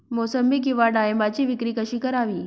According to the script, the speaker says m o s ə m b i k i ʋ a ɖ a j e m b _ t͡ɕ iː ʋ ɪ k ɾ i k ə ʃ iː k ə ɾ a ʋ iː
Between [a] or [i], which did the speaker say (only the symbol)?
a